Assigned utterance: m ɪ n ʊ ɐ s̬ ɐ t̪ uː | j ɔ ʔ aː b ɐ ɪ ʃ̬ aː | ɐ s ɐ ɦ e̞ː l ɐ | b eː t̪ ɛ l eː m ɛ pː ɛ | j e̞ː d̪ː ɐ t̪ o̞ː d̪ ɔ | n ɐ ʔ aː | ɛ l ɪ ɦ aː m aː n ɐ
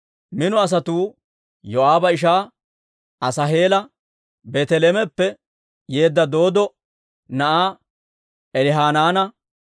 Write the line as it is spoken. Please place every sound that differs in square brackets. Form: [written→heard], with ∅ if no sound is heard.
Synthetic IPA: m ɪ n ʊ ɐ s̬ ɐ t̪ uː | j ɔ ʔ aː b ɐ ɪ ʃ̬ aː | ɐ s ɐ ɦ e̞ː l ɐ | b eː t̪ ɛ l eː m ɛ pː ɛ | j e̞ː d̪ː ɐ [t̪→d̪] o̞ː d̪ ɔ | n ɐ ʔ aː | ɛ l ɪ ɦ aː [m→n] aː n ɐ